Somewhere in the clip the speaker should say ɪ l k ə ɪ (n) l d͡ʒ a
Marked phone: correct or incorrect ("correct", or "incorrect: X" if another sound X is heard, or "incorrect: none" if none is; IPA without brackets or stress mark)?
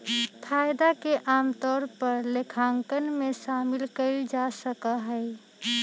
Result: incorrect: none